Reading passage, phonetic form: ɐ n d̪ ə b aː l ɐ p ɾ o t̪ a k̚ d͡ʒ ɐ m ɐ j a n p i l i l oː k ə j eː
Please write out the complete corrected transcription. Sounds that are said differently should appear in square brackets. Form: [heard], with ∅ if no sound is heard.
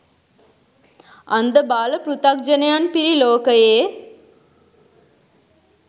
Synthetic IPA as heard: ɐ n d̪ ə b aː l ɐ p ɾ [u] t̪ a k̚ d͡ʒ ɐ [n] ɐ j a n p i [ɾ] i l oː k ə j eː